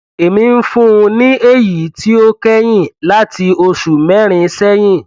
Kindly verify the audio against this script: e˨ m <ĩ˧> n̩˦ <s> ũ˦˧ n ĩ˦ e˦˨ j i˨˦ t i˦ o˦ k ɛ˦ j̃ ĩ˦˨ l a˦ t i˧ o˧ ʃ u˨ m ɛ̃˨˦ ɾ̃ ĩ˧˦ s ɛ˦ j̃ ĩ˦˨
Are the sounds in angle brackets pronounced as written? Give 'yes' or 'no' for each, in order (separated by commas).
yes, no